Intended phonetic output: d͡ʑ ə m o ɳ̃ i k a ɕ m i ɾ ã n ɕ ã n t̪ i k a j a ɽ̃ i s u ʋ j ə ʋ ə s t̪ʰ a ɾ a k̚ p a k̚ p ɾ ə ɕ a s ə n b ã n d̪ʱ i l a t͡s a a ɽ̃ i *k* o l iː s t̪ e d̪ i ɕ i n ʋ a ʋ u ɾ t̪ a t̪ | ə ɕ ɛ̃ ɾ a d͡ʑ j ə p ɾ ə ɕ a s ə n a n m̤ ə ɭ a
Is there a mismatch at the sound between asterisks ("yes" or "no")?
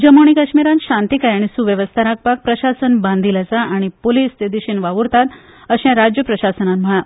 yes